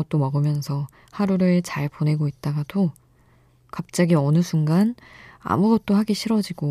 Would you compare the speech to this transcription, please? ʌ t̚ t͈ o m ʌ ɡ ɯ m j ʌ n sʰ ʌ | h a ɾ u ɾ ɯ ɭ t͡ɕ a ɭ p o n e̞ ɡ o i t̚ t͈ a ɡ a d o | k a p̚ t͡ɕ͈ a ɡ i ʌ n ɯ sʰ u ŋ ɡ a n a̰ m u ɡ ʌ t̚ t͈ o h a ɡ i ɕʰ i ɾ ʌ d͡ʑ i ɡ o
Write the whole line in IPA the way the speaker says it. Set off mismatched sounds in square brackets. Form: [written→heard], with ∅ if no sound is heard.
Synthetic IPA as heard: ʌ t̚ t͈ o m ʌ ɡ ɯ m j ʌ n sʰ ʌ | h a ɾ u ɾ ɯ ɭ t͡ɕ a ɭ p o n e̞ ɡ o i t̚ t͈ a ɡ a d o | k a p̚ t͡ɕ͈ a ɡ i ʌ n ɯ sʰ u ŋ ɡ a n a̰ m u ɡ ʌ t̚ t͈ o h a ɡ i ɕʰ i ɾ ʌ d͡ʑ i ɡ o